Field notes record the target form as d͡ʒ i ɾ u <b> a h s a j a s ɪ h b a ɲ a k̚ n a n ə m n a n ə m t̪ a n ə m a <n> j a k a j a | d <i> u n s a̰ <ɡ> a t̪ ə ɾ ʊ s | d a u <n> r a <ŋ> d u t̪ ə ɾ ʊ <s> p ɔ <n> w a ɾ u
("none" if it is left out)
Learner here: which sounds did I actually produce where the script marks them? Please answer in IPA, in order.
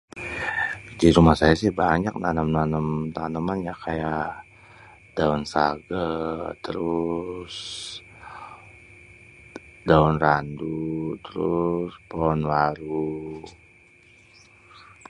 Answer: m, n, a, ɡ, n, n, s, n

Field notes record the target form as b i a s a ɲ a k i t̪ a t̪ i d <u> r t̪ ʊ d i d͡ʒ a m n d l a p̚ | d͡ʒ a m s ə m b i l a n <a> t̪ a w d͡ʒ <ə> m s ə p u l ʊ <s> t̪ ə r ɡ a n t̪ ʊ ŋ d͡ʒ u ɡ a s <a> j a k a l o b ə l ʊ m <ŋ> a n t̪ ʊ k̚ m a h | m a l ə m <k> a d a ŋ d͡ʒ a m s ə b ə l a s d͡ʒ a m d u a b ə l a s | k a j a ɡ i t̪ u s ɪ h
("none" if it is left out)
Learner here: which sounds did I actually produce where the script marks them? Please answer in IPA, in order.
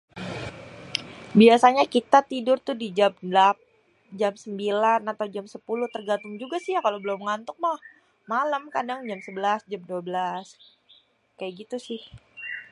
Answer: ʊ, a, a, h, i, ŋ, k

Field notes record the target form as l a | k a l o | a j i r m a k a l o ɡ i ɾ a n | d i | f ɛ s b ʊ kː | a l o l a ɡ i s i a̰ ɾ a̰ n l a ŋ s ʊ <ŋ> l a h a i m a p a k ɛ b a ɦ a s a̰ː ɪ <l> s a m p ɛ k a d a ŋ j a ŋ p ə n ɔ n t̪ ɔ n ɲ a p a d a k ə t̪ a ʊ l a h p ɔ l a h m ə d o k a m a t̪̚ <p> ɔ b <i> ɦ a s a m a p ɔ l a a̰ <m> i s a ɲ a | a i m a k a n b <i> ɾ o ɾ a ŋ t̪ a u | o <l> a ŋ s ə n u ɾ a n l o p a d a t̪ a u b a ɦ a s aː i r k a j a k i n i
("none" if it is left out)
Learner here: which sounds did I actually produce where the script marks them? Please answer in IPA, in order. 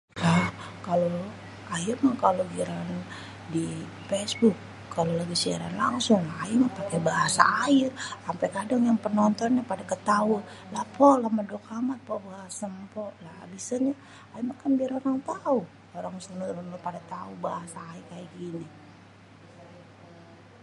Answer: ŋ, r, p, a, b, i, ɾ

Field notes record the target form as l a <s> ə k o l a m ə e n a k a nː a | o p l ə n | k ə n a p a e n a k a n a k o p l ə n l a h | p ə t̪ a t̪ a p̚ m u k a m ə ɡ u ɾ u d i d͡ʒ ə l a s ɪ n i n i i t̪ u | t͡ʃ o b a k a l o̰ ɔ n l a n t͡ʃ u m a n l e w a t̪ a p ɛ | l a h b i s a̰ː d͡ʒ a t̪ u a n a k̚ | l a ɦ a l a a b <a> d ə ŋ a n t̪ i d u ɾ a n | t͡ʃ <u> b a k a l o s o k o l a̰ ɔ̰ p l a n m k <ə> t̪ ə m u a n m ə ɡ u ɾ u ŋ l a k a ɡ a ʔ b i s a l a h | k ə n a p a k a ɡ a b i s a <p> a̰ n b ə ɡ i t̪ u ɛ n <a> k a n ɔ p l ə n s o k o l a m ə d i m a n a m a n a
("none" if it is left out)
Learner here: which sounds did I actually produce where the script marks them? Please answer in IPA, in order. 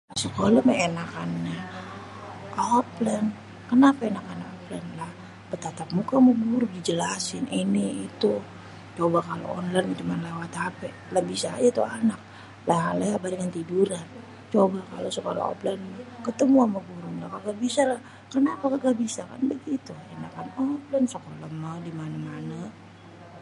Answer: s, a, o, ə, k, a

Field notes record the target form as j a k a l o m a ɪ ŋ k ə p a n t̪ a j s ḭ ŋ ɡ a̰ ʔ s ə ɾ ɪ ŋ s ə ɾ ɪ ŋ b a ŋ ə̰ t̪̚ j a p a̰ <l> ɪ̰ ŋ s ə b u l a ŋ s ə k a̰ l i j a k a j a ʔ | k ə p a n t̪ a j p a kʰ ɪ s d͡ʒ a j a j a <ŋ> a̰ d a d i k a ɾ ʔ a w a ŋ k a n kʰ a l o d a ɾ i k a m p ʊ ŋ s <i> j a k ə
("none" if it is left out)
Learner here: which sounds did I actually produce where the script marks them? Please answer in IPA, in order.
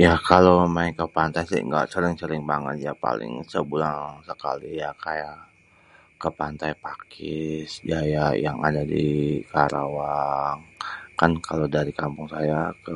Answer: l, ŋ, a

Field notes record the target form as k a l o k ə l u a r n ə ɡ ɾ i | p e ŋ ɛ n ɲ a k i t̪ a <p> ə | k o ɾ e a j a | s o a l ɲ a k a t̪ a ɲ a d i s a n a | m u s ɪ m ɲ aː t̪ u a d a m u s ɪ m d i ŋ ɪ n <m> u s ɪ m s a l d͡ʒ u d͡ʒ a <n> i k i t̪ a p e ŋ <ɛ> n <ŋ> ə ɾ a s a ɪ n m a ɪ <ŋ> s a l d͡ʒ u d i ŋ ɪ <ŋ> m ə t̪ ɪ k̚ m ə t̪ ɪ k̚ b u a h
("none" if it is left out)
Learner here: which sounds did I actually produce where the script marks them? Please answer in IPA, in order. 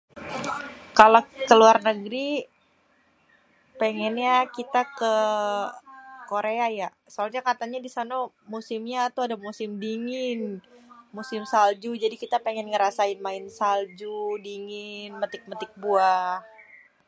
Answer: k, m, d, ɛ, ŋ, n, n

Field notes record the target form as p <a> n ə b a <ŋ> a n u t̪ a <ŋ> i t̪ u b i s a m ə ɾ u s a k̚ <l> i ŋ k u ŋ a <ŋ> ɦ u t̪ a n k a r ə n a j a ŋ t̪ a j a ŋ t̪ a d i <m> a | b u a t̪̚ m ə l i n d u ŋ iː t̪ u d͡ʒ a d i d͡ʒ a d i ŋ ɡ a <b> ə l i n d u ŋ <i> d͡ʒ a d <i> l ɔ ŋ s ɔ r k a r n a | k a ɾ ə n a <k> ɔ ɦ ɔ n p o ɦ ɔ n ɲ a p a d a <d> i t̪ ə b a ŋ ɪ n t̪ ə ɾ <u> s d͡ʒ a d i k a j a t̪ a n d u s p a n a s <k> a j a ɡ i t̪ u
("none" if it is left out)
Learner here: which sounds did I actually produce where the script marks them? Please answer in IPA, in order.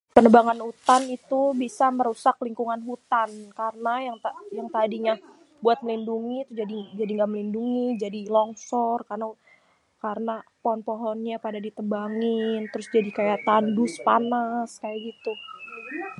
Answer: ə, ŋ, n, l, n, ɲ, m, i, i, p, d, ʊ, k

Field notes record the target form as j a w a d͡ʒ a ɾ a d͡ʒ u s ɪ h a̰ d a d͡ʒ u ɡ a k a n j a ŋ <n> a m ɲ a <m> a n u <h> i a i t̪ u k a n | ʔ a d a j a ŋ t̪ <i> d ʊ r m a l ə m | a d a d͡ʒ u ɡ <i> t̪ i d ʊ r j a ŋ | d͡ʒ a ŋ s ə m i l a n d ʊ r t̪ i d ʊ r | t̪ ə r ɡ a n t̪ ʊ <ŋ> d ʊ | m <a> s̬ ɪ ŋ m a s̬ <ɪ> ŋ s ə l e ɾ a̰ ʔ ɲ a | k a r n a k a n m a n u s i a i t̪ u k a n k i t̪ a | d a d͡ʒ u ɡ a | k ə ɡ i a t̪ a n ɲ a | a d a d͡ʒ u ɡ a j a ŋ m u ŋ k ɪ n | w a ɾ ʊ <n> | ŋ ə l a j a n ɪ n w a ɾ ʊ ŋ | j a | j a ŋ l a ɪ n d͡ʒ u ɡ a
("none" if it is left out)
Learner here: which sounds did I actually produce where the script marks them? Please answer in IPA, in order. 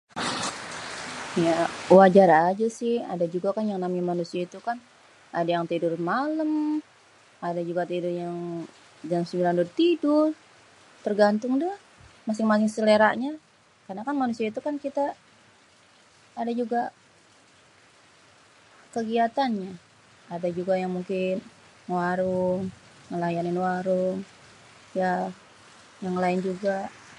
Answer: n, m, s, i, a, ŋ, a, ɪ, ŋ

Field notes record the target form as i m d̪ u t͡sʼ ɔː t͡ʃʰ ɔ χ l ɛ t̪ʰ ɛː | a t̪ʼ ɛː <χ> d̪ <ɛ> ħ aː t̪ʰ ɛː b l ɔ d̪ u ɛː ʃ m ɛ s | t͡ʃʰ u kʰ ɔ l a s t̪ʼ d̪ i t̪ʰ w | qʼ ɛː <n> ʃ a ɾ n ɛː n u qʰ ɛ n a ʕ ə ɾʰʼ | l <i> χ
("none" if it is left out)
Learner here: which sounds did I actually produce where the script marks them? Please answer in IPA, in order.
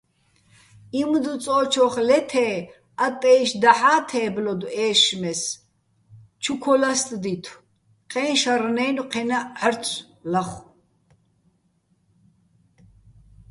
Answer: ʃ, a, n, a

